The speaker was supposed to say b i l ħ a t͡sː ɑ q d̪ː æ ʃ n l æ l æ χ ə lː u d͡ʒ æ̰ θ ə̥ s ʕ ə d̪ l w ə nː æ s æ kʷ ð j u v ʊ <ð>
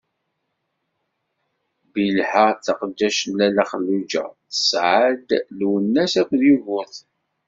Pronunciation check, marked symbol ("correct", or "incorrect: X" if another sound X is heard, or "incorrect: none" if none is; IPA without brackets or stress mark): incorrect: θ